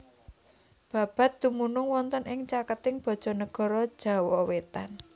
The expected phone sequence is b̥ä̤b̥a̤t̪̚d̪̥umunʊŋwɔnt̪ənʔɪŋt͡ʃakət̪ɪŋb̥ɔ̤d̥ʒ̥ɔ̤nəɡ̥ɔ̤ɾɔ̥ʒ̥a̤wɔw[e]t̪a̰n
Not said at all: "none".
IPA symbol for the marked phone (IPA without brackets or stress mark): e